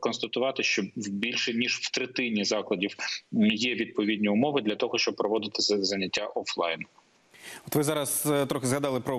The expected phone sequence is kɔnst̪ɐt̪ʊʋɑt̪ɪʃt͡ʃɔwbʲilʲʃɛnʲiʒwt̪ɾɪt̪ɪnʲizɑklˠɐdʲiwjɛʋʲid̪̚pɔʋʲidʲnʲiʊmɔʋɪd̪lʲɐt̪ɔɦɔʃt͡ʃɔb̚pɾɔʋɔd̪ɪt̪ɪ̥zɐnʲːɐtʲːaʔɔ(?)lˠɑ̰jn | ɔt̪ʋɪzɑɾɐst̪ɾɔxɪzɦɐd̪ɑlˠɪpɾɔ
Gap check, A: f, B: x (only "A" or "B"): A